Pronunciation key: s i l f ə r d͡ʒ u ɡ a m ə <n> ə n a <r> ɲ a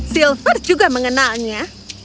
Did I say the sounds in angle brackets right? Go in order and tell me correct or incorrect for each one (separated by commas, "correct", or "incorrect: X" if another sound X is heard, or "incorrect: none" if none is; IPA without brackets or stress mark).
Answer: incorrect: ŋ, incorrect: l